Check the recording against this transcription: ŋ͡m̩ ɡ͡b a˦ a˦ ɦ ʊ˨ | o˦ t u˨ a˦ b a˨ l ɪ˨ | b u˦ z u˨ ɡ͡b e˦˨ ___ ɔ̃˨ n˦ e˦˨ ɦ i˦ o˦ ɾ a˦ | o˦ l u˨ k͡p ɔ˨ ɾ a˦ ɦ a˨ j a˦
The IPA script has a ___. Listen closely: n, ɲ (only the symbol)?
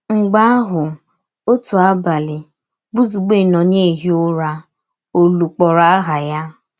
n